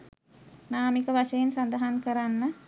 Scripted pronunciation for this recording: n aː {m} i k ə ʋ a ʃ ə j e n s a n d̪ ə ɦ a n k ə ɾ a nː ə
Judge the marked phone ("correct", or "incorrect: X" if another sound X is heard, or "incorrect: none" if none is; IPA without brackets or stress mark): correct